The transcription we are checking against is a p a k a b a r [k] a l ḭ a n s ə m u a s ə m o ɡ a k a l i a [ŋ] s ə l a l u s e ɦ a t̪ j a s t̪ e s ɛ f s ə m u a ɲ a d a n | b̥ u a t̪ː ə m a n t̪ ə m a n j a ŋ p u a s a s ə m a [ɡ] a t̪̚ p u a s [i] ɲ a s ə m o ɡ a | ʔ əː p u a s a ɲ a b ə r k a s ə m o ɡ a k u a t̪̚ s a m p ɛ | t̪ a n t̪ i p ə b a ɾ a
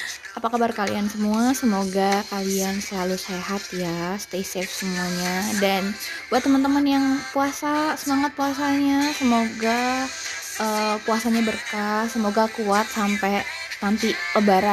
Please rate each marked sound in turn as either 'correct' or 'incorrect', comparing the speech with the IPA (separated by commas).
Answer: correct, incorrect, incorrect, incorrect